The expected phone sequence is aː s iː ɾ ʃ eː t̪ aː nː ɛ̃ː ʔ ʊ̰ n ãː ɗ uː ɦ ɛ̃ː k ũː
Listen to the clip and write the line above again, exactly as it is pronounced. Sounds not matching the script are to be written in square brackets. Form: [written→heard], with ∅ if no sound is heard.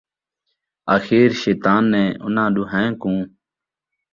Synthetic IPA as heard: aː [s→x] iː ɾ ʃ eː t̪ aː nː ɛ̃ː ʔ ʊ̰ n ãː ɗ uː ɦ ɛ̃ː k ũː